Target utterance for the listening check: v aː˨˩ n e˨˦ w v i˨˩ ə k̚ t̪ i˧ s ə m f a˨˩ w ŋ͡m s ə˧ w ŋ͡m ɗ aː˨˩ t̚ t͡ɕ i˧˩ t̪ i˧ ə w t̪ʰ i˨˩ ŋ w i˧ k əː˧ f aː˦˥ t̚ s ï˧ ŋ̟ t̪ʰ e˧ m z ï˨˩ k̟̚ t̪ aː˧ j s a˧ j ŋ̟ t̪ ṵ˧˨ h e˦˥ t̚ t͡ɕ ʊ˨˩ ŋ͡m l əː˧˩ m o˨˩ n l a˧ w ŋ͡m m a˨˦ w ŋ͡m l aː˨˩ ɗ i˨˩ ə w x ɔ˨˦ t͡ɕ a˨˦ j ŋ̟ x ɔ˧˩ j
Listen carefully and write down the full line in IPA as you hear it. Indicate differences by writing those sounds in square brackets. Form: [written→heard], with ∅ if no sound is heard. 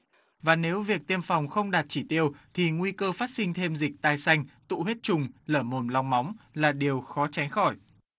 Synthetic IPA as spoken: v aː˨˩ n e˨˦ w v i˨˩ ə k̚ t̪ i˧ [s→∅] ə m f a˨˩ w ŋ͡m [s→x] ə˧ w ŋ͡m ɗ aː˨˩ t̚ t͡ɕ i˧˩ t̪ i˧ ə w t̪ʰ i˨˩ ŋ w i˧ k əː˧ f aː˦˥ t̚ s ï˧ ŋ̟ t̪ʰ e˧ m z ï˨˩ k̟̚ t̪ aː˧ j s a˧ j ŋ̟ t̪ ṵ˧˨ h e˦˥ t̚ t͡ɕ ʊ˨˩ ŋ͡m l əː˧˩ m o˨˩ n l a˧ w ŋ͡m m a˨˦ w ŋ͡m l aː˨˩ ɗ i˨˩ ə w x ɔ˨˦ t͡ɕ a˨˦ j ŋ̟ x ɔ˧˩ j